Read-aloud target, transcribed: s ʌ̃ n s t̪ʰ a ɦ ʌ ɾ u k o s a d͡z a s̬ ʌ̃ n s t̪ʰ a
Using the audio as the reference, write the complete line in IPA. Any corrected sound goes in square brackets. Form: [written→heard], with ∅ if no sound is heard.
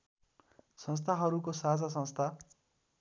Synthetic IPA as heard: s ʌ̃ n s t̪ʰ a ɦ ʌ ɾ u k o s a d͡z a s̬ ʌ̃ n s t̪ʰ a